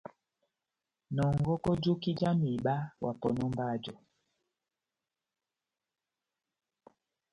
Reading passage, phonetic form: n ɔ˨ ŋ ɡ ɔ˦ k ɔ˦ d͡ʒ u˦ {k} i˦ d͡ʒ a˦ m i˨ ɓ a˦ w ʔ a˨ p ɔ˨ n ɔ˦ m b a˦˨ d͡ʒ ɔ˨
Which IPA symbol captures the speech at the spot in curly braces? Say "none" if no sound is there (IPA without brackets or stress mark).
k